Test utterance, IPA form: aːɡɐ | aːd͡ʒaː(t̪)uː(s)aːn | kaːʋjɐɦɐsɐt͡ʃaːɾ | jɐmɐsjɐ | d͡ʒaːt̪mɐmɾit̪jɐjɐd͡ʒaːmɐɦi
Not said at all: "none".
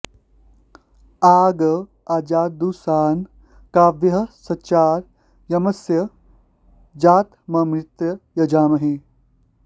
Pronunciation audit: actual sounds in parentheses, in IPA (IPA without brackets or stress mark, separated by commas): d̪, s